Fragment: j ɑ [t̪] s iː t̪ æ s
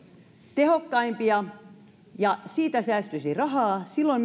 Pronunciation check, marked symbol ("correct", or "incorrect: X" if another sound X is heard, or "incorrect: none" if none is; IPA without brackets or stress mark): incorrect: none